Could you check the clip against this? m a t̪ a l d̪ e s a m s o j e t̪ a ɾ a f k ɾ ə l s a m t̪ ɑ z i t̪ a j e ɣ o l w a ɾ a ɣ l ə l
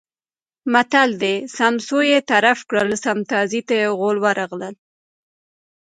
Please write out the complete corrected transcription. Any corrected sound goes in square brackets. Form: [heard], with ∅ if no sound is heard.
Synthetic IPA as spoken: m a t̪ a l d̪ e s a m s o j e t̪ a ɾ a f k [ɽ] ə l s a m t̪ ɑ z i t̪ a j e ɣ o l w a ɾ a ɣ l ə l